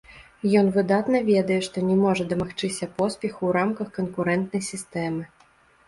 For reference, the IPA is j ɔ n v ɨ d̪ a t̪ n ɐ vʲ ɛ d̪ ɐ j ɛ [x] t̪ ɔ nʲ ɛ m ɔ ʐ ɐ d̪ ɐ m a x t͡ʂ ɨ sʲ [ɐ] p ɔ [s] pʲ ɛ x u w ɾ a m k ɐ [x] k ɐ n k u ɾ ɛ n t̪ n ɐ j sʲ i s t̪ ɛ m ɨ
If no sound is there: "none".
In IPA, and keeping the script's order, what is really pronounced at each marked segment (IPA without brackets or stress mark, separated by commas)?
ʂ, ɐ, s, x